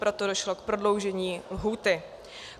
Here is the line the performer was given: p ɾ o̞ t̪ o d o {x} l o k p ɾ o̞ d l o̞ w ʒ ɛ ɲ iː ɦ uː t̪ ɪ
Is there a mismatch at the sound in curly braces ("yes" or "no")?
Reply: yes